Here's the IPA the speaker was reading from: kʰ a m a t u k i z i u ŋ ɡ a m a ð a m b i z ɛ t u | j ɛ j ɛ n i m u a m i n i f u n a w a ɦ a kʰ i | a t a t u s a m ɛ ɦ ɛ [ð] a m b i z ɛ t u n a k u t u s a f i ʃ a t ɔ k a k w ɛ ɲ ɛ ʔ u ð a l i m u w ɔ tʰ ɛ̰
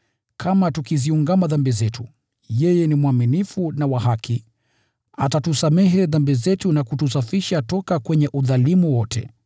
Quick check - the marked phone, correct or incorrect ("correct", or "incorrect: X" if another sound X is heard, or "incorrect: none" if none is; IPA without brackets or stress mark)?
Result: correct